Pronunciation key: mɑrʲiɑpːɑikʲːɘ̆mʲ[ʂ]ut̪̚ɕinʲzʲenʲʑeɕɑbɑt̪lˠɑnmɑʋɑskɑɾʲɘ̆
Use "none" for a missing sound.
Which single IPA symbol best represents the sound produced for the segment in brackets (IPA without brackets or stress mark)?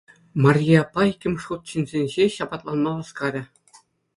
ʂ